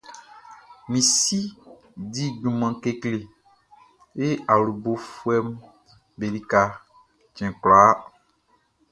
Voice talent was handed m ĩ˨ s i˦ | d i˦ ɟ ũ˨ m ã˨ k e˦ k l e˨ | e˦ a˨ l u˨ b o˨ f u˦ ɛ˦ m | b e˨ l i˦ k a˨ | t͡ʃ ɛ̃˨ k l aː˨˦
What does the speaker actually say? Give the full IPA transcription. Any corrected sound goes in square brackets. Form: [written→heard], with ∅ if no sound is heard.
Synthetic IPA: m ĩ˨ s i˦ | d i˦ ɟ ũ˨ m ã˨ k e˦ k l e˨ | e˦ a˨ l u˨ b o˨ f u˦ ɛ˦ m | b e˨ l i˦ k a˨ | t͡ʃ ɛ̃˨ k l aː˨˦